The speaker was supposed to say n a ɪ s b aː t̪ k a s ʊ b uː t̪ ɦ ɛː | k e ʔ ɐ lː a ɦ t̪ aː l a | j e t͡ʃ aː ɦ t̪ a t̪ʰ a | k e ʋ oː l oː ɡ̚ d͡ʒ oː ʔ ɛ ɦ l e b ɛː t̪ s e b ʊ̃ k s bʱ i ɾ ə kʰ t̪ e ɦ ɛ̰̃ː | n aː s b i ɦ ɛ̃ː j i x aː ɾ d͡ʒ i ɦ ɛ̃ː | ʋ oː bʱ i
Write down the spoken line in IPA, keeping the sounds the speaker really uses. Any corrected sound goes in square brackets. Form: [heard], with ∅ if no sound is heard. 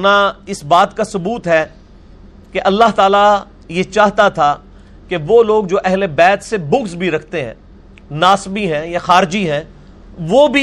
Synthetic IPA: n a ɪ s b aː t̪ k a s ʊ b uː t̪ ɦ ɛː | k e ʔ ɐ lː a ɦ t̪ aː l a | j e t͡ʃ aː ɦ t̪ a t̪ʰ a | k e ʋ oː l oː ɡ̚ d͡ʒ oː ʔ ɛ ɦ l e b ɛː t̪ s e b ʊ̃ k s bʱ i ɾ [ɐ] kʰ t̪ e ɦ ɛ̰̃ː | n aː s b i ɦ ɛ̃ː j [a] x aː ɾ d͡ʒ i ɦ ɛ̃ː | ʋ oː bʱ i